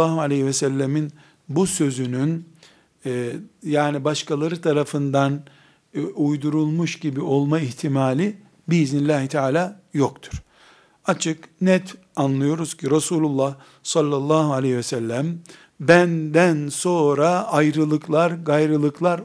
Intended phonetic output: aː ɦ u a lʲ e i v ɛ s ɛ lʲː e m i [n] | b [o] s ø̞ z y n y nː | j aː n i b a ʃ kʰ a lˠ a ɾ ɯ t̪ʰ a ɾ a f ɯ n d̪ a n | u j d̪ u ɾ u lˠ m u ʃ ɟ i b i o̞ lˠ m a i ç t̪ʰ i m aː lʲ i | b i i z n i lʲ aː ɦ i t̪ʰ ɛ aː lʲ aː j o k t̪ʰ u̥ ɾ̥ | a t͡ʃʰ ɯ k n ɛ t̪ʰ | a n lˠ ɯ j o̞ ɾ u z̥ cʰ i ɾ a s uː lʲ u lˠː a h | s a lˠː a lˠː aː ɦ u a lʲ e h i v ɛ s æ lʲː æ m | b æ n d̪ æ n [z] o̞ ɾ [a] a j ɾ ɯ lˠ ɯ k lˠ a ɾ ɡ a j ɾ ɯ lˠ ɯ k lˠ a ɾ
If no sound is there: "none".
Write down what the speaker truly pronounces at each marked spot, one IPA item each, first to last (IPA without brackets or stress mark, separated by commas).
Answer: n, u, s, a